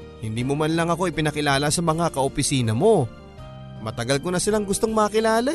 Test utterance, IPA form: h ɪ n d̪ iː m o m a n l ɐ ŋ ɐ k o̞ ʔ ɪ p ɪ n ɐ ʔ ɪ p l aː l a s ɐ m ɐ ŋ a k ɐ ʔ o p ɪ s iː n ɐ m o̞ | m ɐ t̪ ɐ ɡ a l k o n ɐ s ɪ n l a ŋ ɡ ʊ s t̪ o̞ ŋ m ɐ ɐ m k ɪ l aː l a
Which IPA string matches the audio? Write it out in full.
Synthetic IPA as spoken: h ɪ n d̪ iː m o m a n l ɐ ŋ ɐ k o̞ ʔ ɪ p ɪ n ɐ k ɪ l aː l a s ɐ m ɐ ŋ a k ɐ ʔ o p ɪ s iː n ɐ m o̞ | m ɐ t̪ ɐ ɡ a l k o n ɐ s ɪ l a ŋ ɡ ʊ s t̪ o̞ ŋ m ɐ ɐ k ɪ l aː l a